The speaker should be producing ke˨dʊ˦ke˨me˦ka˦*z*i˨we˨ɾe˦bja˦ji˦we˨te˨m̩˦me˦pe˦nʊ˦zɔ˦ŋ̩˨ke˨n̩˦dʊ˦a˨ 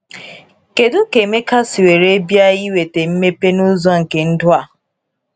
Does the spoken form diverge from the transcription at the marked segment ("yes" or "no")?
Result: yes